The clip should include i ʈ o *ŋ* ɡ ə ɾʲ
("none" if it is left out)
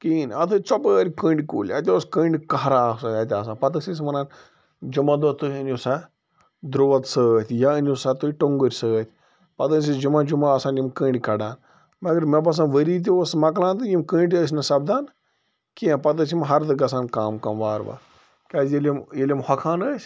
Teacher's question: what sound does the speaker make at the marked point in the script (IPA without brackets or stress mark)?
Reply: ŋ